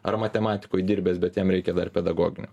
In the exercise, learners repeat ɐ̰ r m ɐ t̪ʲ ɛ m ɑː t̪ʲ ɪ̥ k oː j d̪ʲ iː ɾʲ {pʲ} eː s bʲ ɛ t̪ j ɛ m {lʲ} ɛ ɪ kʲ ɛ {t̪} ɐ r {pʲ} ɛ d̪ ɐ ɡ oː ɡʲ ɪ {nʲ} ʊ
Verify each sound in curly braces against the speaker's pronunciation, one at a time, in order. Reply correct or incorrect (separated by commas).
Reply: incorrect, incorrect, incorrect, correct, correct